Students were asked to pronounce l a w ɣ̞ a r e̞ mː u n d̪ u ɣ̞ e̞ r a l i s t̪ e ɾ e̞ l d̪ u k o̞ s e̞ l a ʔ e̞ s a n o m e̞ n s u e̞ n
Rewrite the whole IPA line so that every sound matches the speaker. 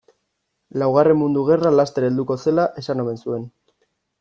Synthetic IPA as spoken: l a w ɣ̞ a r e̞ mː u n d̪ u ɣ̞ e̞ r a l a s t̪ e ɾ e̞ l d̪ u k o̞ s e̞ l a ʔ e̞ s a n o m e̞ n s u e̞ n